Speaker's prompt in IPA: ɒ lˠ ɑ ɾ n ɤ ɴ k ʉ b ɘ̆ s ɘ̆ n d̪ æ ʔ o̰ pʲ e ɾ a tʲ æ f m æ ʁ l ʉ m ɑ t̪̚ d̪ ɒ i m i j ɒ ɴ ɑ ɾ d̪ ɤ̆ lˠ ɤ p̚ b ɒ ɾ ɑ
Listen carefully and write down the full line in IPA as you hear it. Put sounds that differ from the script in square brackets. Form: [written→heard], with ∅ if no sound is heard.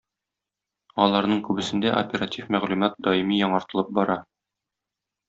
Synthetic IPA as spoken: ɒ lˠ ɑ ɾ n ɤ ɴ k ʉ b ɘ̆ s ɘ̆ n d̪ æ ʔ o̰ pʲ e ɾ a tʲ [æ→i] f m æ ʁ l ʉ m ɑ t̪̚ d̪ ɒ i m i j ɒ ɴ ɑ ɾ [d̪→t̪] ɤ̆ lˠ ɤ p̚ b ɒ ɾ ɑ